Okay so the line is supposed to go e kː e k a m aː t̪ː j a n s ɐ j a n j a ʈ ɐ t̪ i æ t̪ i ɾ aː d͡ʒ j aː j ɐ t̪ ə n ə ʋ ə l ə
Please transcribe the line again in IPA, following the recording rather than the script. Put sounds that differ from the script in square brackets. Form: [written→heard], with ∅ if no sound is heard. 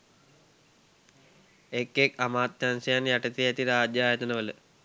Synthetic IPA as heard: e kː e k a m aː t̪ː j a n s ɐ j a n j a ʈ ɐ t̪ i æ t̪ i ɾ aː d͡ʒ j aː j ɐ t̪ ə n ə ʋ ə l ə